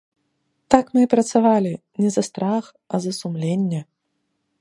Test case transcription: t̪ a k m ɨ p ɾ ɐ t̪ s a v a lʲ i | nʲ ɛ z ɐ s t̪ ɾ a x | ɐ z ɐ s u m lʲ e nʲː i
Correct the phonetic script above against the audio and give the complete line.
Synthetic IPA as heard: t̪ a k m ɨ p ɾ ɐ t̪ s a v a lʲ i | nʲ ɛ z ɐ s t̪ ɾ a x | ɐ z ɐ s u m lʲ e nʲː ɛ